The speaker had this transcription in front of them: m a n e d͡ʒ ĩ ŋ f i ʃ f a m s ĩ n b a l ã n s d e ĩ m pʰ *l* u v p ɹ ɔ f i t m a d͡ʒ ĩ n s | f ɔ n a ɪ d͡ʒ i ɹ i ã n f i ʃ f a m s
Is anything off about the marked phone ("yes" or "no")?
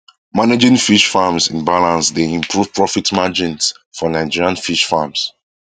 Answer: yes